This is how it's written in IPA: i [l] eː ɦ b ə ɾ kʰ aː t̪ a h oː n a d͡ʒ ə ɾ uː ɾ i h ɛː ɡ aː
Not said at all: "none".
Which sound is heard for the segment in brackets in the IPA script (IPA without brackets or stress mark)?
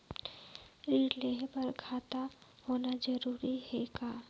l